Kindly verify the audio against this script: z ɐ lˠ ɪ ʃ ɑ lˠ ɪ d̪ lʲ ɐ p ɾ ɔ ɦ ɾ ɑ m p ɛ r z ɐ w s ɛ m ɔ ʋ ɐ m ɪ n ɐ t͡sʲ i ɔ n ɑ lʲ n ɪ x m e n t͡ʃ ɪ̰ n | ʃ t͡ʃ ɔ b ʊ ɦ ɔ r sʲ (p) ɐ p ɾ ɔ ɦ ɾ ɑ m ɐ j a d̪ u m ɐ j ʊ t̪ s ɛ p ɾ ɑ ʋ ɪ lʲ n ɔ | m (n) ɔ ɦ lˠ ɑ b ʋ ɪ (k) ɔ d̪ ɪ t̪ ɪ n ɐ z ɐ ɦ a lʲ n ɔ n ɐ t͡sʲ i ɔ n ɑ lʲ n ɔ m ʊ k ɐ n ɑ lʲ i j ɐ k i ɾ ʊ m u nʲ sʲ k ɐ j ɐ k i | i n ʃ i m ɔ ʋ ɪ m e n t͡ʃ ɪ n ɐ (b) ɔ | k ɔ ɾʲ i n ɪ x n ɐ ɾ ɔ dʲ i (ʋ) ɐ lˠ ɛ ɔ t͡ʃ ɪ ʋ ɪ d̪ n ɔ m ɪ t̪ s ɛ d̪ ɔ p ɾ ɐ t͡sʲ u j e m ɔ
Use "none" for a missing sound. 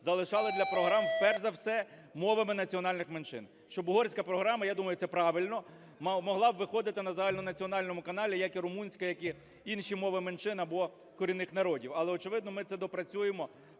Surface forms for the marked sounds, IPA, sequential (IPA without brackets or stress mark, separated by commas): k, m, x, b, w